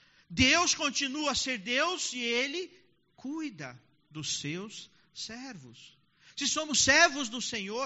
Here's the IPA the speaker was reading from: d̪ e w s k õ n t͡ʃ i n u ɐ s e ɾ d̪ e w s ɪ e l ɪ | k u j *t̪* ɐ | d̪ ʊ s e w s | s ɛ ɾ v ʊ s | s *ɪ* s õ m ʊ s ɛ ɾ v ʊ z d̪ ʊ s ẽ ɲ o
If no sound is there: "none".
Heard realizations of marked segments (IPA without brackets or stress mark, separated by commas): d̪, ɪ